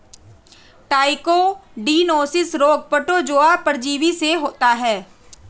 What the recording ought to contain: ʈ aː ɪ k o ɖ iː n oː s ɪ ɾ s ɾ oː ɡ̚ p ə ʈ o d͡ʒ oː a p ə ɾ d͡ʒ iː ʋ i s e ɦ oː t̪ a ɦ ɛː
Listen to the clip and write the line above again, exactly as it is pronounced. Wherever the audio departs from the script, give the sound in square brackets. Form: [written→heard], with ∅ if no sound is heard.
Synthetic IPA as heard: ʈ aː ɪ k o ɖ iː n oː s ɪ [ɾ→∅] s ɾ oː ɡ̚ p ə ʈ o d͡ʒ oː a p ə ɾ d͡ʒ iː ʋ i s e ɦ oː t̪ a ɦ ɛː